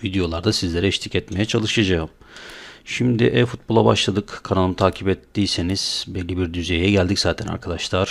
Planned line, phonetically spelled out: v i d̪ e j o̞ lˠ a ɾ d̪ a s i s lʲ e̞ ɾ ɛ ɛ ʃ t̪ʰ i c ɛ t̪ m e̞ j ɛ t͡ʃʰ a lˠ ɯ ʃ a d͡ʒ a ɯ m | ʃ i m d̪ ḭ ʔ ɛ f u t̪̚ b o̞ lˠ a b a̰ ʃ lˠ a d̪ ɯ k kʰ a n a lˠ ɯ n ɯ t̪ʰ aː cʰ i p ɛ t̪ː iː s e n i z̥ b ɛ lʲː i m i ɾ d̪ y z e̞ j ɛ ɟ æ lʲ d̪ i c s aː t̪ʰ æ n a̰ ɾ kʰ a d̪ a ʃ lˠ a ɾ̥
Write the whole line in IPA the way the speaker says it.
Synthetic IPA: v i d̪ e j o̞ lˠ a ɾ d̪ a s i z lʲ e̞ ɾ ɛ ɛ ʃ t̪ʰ i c ɛ t̪ m e̞ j ɛ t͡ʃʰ a lˠ ɯ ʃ a d͡ʒ a ɯ m | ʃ i m d̪ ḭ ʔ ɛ f u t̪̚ b o̞ lˠ a b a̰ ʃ lˠ a d̪ ɯ k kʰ a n a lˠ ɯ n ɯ t̪ʰ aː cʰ i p ɛ t̪ː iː s e n i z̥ b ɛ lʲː i b i ɾ d̪ y z e̞ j ɛ ɟ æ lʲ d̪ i c z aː t̪ʰ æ n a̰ ɾ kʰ a d̪ a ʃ lˠ a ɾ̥